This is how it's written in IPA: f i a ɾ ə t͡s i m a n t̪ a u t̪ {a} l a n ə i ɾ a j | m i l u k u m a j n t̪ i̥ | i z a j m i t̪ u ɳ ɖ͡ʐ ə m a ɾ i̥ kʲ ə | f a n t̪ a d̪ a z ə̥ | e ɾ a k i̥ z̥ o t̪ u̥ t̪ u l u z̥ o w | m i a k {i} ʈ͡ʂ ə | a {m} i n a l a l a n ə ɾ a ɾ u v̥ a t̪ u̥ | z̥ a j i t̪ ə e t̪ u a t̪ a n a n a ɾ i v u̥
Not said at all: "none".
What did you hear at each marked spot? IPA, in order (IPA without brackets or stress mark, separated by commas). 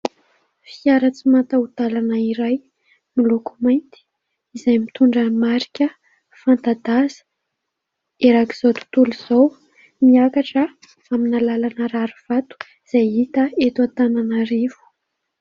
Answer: a, a, m